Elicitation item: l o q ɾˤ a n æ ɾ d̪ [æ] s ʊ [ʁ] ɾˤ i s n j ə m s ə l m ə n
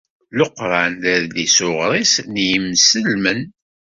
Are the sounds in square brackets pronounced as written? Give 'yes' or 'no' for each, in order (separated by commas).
no, yes